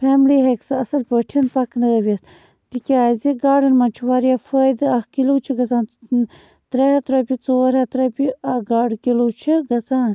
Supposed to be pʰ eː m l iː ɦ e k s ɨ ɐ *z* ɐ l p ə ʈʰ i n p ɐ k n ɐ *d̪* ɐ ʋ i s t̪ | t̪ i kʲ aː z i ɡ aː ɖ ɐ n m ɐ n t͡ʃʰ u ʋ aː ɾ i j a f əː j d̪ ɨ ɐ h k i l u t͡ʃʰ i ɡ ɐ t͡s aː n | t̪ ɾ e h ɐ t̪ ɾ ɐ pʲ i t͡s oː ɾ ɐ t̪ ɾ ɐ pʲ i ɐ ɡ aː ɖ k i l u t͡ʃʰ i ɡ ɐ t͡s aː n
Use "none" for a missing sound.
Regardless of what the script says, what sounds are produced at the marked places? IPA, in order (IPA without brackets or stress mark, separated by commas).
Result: s, none